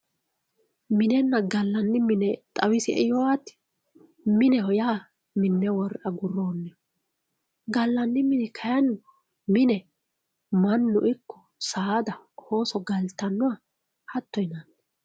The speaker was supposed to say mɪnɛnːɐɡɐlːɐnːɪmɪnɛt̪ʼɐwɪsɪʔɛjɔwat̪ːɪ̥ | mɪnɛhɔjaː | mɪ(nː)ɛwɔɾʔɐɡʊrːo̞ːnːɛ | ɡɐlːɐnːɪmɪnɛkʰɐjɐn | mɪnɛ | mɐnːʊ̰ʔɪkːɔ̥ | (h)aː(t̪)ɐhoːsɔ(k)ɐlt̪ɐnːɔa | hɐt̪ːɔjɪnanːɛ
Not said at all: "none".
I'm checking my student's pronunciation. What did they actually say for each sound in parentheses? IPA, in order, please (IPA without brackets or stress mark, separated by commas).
nː, s, d̪, ɡ